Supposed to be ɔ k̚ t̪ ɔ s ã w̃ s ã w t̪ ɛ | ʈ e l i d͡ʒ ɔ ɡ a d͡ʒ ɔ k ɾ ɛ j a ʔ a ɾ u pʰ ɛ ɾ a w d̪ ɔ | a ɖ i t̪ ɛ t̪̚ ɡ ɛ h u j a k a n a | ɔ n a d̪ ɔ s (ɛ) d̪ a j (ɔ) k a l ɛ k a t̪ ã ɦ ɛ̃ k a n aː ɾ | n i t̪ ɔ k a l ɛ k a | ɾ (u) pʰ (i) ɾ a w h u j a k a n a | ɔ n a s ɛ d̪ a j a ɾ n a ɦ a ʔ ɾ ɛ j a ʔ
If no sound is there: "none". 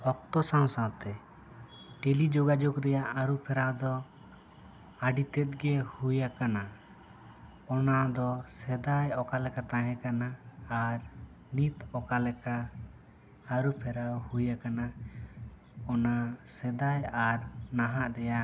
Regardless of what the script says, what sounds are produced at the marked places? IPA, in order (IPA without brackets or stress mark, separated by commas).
ɛ, ɔ, u, ɛ